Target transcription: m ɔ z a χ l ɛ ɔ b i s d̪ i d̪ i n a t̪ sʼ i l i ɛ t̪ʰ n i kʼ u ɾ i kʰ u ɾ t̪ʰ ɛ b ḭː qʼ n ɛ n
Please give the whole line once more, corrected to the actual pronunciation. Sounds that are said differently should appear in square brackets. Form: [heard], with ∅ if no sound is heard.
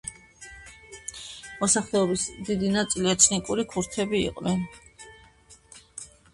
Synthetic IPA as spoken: m ɔ [s] a χ l ɛ ɔ b i s d̪ i d̪ i n a t̪ sʼ i l i ɛ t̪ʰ n i kʼ u ɾ i kʰ u ɾ t̪ʰ ɛ b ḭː qʼ n ɛ n